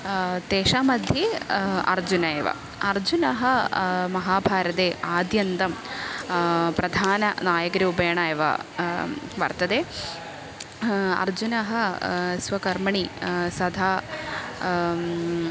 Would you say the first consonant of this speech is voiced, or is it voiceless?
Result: voiceless